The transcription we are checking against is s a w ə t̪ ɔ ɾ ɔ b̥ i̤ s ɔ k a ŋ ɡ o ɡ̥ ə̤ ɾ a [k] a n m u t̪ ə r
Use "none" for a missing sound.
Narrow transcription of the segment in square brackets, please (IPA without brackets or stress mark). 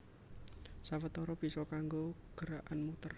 ʔ